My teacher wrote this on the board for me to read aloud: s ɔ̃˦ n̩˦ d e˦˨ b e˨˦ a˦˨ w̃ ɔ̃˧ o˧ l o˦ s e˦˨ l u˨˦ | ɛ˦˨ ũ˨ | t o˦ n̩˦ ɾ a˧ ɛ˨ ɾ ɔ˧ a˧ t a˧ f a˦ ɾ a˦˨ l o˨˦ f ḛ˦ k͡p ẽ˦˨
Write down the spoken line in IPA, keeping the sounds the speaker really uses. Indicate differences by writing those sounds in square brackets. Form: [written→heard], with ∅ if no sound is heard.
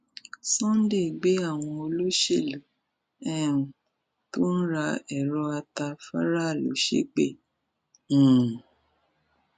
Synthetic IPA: s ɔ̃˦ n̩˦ d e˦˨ [b→ɡ͡b] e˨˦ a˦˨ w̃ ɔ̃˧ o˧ l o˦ [s→ʃ] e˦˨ l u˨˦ | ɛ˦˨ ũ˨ | t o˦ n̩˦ ɾ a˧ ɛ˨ ɾ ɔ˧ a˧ t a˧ f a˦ ɾ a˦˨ l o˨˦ [f→ʃ] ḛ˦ k͡p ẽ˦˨